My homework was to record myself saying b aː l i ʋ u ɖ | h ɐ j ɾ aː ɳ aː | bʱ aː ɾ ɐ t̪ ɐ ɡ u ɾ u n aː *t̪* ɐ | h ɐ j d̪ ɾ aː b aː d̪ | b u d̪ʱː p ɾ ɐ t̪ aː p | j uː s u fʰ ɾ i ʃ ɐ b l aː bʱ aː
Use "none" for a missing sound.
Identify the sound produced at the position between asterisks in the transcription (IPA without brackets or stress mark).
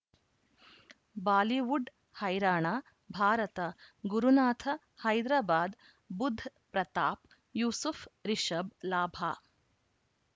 t̪ʰ